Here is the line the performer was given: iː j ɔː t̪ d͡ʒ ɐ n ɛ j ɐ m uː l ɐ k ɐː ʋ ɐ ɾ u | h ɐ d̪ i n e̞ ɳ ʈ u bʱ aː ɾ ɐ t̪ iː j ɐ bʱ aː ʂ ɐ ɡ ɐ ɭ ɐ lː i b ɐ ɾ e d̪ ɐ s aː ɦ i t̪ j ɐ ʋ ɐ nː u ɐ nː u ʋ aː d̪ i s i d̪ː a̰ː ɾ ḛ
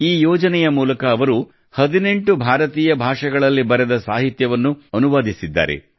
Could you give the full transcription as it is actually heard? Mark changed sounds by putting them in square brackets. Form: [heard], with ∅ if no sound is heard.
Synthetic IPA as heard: iː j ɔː [∅] d͡ʒ ɐ n ɛ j ɐ m uː l ɐ k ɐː ʋ ɐ ɾ u | h ɐ d̪ i n e̞ ɳ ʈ u bʱ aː ɾ ɐ t̪ iː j ɐ bʱ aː ʂ ɐ ɡ ɐ ɭ ɐ lː i b ɐ ɾ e d̪ ɐ s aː ɦ i t̪ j ɐ ʋ ɐ nː u ɐ [n] u ʋ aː d̪ i s i d̪ː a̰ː ɾ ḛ